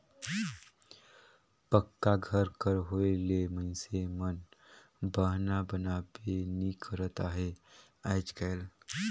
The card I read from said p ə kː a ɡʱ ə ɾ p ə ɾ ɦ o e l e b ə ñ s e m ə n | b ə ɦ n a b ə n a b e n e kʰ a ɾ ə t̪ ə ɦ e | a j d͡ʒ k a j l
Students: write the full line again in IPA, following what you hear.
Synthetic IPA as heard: p ə kː a ɡʱ ə ɾ k ə ɾ ɦ o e l e m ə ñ s e m ə n | b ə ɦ n a b ə n a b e n i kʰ ə ɾ ə t̪ a ɦ e | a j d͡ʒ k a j l